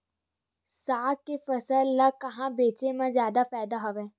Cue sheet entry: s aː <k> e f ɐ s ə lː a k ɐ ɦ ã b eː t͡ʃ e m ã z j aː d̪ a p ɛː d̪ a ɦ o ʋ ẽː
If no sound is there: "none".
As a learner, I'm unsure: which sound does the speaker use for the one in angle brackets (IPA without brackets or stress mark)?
k